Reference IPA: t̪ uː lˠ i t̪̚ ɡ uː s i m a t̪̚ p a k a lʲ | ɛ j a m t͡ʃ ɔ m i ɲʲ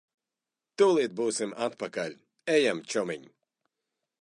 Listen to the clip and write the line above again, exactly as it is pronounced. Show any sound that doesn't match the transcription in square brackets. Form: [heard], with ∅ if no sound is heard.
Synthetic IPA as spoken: t̪ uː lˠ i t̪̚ [b] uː s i m a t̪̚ p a k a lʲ | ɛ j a m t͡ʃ ɔ m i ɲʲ